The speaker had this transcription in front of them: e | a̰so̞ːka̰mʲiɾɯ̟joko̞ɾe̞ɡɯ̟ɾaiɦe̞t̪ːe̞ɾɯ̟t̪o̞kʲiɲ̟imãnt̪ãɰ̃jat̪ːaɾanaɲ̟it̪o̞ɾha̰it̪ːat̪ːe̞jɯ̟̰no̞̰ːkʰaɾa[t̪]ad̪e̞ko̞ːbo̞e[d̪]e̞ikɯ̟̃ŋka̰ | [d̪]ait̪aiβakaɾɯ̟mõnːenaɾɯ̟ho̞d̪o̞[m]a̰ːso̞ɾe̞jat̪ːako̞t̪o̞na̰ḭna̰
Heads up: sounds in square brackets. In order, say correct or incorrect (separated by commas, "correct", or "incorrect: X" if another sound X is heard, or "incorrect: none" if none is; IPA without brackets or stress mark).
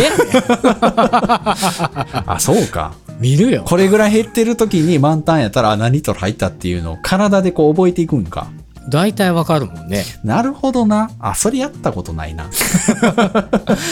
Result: incorrect: d̪, incorrect: t̪, correct, incorrect: n